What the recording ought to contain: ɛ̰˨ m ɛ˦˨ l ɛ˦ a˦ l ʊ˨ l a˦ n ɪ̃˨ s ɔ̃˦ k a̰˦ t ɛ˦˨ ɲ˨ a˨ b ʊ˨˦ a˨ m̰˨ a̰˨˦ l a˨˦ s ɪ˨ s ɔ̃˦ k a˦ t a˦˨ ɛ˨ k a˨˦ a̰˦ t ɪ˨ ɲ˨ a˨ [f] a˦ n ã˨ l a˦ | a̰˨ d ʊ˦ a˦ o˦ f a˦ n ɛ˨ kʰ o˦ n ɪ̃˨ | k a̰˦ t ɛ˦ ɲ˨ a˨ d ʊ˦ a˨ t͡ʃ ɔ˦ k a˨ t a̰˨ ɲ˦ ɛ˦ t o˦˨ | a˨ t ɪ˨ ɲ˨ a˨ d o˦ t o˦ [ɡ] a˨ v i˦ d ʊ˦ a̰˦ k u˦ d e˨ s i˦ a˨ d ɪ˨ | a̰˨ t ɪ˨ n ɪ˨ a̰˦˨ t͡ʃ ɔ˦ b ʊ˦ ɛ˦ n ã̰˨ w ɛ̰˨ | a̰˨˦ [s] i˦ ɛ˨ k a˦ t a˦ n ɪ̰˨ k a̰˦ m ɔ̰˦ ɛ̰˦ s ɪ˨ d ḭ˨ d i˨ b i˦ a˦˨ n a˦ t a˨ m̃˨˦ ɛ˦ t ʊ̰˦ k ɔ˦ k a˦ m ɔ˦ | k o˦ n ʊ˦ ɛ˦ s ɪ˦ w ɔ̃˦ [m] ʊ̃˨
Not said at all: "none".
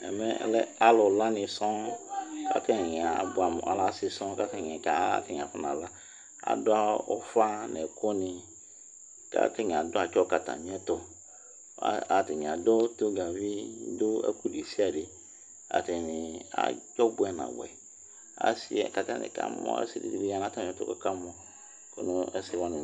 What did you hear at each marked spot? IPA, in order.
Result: f, ɡ, s, n

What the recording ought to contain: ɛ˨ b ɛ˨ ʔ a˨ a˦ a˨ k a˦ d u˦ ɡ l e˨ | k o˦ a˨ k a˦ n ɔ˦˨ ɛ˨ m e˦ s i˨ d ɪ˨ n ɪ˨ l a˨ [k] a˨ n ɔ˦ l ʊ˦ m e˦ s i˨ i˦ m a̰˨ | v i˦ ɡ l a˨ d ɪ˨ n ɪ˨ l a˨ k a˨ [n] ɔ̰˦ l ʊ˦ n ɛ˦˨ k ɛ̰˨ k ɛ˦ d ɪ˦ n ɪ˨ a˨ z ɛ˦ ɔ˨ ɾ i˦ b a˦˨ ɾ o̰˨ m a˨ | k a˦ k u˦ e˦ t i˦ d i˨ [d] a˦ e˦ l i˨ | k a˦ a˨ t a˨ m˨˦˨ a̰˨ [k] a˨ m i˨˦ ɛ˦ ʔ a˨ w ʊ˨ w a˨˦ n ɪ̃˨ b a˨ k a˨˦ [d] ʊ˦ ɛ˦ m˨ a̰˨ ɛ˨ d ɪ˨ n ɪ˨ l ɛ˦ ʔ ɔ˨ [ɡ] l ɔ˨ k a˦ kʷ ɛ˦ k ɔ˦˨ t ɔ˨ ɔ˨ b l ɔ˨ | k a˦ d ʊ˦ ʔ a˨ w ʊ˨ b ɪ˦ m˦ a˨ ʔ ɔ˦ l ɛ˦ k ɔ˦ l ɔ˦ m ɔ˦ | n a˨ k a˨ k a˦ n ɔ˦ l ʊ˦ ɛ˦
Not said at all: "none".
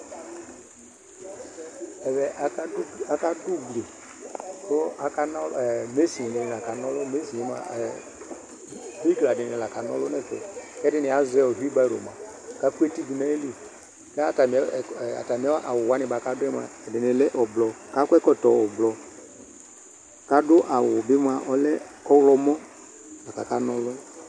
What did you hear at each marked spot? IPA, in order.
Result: k, n, n, t, d, b

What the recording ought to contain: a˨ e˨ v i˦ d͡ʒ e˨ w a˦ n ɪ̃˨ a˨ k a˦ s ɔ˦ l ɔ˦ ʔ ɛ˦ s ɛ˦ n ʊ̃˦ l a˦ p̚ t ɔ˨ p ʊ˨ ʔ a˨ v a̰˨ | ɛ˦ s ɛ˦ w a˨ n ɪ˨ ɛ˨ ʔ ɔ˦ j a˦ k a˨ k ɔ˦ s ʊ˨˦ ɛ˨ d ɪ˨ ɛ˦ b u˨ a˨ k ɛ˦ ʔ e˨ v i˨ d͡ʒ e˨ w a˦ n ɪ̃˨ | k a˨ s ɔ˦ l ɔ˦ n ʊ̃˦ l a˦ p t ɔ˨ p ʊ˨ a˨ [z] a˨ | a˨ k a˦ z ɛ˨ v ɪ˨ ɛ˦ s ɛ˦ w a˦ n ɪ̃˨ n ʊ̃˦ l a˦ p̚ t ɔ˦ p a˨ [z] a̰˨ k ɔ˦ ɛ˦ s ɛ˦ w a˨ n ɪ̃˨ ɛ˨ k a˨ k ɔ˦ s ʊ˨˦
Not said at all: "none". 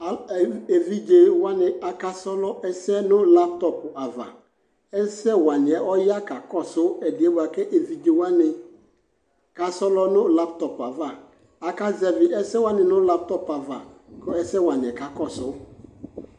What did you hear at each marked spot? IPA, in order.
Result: v, v

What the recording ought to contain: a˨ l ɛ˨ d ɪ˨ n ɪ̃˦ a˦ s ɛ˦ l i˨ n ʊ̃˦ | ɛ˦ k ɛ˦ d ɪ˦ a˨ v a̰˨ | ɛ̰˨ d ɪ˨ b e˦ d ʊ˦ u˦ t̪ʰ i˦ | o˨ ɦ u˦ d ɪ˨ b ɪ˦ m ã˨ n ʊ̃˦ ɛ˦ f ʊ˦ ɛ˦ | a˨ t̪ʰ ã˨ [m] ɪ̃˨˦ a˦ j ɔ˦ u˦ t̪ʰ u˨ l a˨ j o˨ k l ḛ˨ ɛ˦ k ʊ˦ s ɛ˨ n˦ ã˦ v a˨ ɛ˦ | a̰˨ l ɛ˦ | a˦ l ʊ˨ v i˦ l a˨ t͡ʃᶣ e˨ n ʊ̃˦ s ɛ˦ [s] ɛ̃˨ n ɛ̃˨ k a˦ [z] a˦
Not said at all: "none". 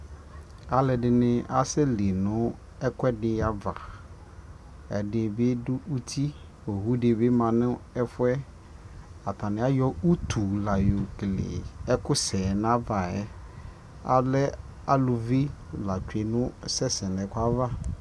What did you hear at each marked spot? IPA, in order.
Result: n, s, v

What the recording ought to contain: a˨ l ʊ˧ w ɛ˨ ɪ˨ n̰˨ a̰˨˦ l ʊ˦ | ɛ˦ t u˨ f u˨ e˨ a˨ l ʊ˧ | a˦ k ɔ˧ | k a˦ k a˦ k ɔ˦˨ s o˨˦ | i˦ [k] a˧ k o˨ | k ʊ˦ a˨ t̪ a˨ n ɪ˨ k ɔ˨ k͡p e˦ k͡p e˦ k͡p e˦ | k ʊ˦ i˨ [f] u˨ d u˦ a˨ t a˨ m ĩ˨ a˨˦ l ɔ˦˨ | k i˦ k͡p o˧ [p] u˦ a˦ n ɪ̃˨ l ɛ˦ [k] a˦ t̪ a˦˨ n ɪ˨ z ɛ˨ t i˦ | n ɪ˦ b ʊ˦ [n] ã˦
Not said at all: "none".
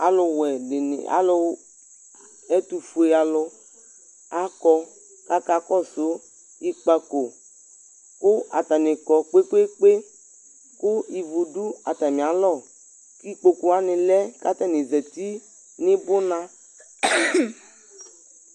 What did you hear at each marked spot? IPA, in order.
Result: k͡p, v, k, k, n

